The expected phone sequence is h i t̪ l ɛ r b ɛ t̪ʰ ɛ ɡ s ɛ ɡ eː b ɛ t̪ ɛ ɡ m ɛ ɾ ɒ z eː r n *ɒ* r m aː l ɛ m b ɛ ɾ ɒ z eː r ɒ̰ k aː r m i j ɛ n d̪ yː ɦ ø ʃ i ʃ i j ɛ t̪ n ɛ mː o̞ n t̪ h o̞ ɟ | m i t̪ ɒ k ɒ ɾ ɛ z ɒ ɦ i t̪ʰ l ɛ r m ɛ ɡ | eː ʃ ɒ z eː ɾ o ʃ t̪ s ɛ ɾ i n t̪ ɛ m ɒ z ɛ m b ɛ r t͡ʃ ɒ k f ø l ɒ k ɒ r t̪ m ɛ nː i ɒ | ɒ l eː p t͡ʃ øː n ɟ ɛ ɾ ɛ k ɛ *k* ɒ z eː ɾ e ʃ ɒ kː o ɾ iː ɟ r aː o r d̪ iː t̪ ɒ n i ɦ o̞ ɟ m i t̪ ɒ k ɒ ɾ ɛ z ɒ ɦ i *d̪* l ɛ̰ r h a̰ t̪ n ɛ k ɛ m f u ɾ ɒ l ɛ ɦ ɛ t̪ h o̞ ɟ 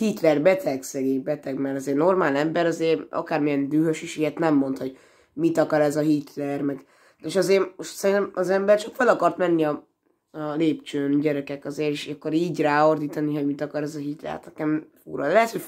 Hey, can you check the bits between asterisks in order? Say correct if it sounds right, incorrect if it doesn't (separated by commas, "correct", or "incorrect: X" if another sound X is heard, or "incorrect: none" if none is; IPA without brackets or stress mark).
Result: incorrect: o, correct, incorrect: t̪